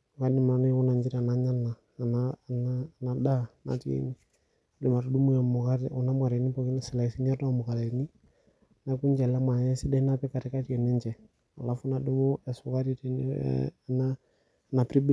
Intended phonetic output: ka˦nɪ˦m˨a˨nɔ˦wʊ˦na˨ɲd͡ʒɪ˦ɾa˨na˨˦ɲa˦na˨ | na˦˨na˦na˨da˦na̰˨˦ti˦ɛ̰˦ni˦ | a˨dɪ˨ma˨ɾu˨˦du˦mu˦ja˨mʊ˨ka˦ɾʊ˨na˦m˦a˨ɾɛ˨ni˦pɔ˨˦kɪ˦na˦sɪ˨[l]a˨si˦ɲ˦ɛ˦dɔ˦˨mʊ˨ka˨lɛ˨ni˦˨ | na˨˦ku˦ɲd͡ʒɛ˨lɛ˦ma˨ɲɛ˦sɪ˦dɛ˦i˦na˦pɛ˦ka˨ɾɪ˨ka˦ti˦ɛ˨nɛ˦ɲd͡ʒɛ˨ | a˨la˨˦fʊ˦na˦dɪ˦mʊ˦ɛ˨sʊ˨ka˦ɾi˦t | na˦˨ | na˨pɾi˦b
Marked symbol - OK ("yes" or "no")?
yes